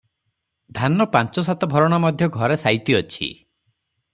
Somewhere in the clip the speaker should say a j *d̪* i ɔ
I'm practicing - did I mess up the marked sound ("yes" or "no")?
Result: yes